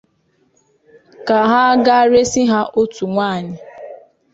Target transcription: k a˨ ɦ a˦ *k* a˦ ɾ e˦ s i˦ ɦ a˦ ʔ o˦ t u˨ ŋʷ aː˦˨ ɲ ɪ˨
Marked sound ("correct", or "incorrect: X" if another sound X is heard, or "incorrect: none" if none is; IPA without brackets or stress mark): incorrect: ɡ